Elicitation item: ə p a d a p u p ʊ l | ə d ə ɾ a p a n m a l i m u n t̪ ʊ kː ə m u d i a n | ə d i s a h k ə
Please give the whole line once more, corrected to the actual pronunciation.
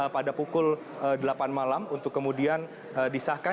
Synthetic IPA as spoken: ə p a d a p u k ʊ l | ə d ə l a p a n m a l a m u n t̪ ʊ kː ə m u d i a n | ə d i s a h k a